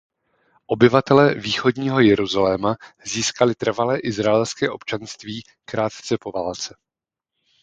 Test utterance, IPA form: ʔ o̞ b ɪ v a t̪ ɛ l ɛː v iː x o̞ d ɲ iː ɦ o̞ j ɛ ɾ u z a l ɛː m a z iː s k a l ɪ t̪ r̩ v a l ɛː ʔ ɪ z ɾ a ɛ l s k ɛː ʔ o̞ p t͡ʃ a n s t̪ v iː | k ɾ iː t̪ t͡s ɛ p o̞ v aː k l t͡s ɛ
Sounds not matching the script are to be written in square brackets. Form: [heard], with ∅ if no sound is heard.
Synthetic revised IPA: ʔ o̞ b ɪ v a t̪ ɛ l ɛː v iː x o̞ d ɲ iː ɦ o̞ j ɛ ɾ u z a l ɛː m a z iː s k a l ɪ t̪ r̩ v a l ɛː ʔ ɪ z ɾ a ɛ l s k ɛː ʔ o̞ p t͡ʃ a n s t̪ v iː | k ɾ [aː] t̪ t͡s ɛ p o̞ v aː [∅] l t͡s ɛ

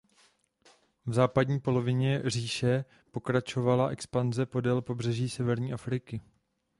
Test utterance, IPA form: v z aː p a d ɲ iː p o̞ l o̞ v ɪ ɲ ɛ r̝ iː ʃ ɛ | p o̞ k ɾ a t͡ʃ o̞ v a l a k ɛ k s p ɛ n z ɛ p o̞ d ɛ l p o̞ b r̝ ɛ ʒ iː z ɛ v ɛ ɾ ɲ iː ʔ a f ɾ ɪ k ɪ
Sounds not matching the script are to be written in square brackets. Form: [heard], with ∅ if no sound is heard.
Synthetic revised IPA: v z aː p a d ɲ iː p o̞ l o̞ v ɪ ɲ ɛ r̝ iː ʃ ɛ | p o̞ k ɾ a t͡ʃ o̞ v a l a [ʔ] ɛ k s p [a] n z ɛ p o̞ d ɛ l p o̞ b r̝ ɛ ʒ iː [s] ɛ v ɛ ɾ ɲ iː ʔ a f ɾ ɪ k ɪ

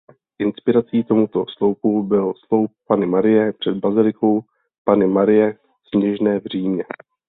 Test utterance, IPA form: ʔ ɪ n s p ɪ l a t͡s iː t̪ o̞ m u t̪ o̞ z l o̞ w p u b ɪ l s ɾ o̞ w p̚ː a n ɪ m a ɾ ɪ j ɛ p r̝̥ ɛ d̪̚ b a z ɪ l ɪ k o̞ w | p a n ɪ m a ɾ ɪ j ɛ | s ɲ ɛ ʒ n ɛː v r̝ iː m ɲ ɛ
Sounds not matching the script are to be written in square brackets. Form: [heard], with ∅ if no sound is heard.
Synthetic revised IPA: ʔ ɪ n s p ɪ [ɾ] a t͡s iː t̪ o̞ m u t̪ o̞ [s] l o̞ w p u b ɪ l s [l] o̞ w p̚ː a n ɪ m a ɾ ɪ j ɛ p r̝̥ ɛ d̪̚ b a z ɪ l ɪ k o̞ w | p a n ɪ m a ɾ ɪ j ɛ | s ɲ ɛ ʒ n ɛː v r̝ iː m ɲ ɛ

